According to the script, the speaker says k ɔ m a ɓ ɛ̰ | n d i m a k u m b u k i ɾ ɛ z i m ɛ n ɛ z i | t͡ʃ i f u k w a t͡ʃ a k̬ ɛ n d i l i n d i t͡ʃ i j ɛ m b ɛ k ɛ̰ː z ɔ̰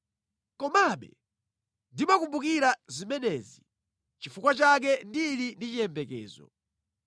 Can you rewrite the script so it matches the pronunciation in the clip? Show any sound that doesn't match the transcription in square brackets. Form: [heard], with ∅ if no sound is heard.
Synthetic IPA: k ɔ m a ɓ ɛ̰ | n d i m a k u m b u k i ɾ [a] z i m ɛ n ɛ z i | t͡ʃ i f u k w a t͡ʃ a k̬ ɛ n d i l i n d i t͡ʃ i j ɛ m b ɛ k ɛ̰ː z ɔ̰